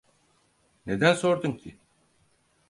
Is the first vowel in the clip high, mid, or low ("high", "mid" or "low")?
mid